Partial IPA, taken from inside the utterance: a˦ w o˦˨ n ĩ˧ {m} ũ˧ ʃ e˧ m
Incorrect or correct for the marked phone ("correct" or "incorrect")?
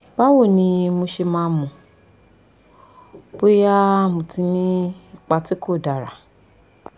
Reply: correct